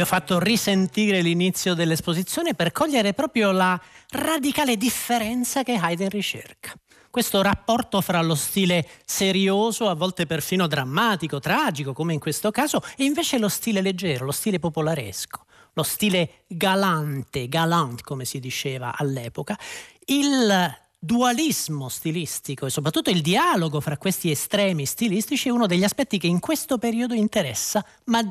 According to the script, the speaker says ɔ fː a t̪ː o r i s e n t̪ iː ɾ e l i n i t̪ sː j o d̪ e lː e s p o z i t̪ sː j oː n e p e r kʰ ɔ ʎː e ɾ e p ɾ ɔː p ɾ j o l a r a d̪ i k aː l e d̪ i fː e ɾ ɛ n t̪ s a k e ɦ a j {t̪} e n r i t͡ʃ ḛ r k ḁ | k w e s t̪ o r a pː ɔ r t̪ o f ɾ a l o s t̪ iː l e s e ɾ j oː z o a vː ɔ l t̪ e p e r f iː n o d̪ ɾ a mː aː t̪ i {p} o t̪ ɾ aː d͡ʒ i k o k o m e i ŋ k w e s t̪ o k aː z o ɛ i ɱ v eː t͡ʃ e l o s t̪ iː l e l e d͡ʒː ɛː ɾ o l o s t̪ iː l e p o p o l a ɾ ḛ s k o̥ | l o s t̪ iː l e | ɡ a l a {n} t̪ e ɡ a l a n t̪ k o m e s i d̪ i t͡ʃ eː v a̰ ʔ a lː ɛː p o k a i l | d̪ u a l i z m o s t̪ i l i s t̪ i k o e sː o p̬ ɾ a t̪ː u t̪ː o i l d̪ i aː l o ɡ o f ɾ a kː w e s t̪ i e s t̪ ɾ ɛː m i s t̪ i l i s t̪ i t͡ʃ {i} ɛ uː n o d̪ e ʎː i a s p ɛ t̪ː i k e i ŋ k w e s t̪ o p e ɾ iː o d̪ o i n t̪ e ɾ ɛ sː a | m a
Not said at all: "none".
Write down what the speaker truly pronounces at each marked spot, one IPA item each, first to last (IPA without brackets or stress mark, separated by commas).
d̪, k, n, i